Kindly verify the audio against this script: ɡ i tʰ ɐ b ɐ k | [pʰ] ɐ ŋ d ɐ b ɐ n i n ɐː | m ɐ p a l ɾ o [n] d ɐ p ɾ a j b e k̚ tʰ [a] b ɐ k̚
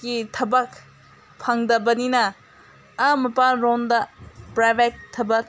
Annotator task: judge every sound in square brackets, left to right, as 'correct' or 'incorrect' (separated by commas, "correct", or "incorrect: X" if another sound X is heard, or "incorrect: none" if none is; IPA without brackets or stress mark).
correct, correct, incorrect: ɐ